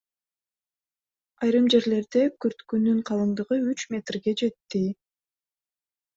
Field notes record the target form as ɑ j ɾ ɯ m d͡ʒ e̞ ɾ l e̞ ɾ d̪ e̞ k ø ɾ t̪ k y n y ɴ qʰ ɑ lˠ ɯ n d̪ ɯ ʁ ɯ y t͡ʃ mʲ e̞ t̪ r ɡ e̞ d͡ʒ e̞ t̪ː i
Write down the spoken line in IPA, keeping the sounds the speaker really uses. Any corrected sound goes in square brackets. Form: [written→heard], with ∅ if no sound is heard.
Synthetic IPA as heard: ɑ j ɾ ɯ m d͡ʒ e̞ ɾ l e̞ ɾ d̪ e̞ k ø ɾ t̪ k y n y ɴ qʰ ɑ lˠ ɯ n d̪ ɯ ʁ ɯ y t͡ʃ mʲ e̞ t̪ r ɡ e̞ d͡ʒ e̞ t̪ː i